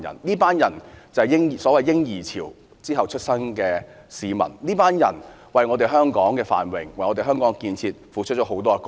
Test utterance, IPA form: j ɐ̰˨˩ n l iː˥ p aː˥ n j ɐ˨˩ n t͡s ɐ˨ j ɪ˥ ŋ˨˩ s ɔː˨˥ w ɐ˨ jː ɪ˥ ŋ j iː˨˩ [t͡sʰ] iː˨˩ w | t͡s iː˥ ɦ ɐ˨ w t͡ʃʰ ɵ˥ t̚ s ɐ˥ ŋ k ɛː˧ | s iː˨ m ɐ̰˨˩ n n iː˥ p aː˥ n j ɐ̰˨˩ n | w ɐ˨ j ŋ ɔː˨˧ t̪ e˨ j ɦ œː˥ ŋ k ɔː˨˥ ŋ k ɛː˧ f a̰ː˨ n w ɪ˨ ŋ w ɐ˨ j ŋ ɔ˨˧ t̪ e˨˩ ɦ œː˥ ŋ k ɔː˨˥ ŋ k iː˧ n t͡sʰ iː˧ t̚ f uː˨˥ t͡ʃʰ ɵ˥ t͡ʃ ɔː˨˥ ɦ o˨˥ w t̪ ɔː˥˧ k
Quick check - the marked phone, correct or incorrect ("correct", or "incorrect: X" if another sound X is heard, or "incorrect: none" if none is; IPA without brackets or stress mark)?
correct